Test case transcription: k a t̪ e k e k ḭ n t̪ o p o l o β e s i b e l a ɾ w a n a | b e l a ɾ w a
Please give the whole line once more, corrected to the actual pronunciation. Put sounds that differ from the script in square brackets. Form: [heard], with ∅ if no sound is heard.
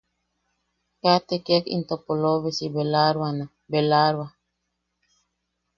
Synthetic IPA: k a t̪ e k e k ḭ n t̪ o p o l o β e s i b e l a ɾ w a n a | b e l a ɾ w a

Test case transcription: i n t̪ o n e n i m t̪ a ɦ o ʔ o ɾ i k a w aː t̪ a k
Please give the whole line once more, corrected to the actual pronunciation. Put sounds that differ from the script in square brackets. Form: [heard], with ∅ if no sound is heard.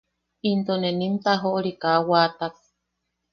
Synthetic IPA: i n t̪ o n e n i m t̪ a ɦ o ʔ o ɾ i k a w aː t̪ a k

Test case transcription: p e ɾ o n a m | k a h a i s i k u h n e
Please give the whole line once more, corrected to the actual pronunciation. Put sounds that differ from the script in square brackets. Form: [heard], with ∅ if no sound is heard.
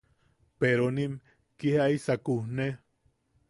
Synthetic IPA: p e ɾ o n [i] m | k [i] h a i s [a] k u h n e

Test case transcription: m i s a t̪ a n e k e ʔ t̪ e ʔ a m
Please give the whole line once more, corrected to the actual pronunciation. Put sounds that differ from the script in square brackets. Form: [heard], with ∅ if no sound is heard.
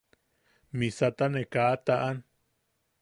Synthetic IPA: m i s a t̪ a n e k [a] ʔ t̪ [a] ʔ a [n]

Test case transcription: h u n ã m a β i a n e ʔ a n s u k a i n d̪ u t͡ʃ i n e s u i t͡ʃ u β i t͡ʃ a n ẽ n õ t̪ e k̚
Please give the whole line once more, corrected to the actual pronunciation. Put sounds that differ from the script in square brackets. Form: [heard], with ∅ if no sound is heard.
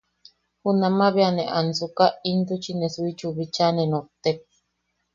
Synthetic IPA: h u n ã m a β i a n e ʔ a n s u k a i n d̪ u t͡ʃ i n e s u i t͡ʃ u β i t͡ʃ a n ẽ n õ t̪ e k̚

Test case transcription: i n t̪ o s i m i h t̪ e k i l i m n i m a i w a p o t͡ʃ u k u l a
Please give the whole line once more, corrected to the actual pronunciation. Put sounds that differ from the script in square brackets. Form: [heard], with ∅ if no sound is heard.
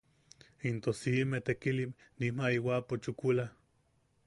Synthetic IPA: i n t̪ o s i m [e] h t̪ e k i l i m n i m a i w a p o t͡ʃ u k u l a

